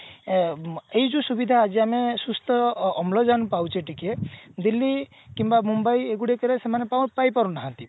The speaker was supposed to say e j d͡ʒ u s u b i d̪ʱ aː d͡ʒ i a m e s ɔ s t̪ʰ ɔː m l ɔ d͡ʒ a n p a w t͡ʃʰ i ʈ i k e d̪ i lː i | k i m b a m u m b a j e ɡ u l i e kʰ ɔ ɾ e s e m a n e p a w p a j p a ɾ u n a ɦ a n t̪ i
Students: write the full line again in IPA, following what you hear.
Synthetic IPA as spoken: e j d͡ʒ u s u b i d̪ʱ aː d͡ʒ i a m e s u s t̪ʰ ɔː m l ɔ d͡ʒ a n p a w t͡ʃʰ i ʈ i k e d̪ i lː i | k i m b a m u m b a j e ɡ u ɽ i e k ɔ ɾ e s e m a n e p a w p a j p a ɾ u n a ɦ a n t̪ i